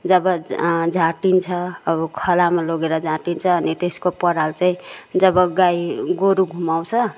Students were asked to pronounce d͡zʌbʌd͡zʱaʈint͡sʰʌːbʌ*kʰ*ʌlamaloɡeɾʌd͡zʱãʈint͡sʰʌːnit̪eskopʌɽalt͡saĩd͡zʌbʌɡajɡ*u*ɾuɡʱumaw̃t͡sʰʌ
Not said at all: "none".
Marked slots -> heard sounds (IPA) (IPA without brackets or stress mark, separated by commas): kʰ, o